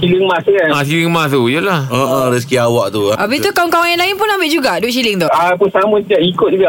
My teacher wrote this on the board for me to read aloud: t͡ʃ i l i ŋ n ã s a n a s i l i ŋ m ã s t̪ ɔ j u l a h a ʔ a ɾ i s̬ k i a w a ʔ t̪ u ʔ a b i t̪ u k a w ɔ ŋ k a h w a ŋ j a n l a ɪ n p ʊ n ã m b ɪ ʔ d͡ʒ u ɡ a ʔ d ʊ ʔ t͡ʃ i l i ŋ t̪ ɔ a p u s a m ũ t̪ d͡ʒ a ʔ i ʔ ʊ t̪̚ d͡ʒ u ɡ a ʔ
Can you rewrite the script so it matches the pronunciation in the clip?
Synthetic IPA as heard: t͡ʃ i l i ŋ m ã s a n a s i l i ŋ m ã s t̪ u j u l a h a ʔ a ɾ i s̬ k i a w a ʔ t̪ u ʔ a b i t̪ u k a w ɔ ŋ k a w a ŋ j a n l a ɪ n p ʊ n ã m b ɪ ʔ d͡ʒ u ɡ a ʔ d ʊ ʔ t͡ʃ i l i ŋ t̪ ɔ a p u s a m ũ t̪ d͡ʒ a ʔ i k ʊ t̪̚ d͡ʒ u ɡ a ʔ